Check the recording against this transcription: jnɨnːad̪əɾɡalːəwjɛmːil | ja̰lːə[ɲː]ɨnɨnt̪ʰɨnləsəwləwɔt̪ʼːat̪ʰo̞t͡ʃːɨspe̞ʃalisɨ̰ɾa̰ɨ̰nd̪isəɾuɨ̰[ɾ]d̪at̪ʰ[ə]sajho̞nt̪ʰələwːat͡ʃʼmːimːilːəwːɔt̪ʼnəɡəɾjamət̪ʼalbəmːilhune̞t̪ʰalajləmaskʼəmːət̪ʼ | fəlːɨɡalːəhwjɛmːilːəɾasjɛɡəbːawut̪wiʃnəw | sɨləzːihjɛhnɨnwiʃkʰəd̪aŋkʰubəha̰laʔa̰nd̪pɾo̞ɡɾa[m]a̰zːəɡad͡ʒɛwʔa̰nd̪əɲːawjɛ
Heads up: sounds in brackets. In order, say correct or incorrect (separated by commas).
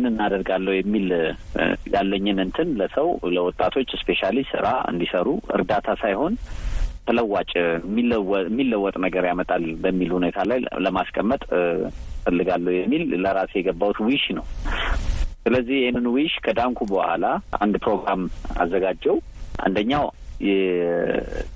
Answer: correct, correct, incorrect, correct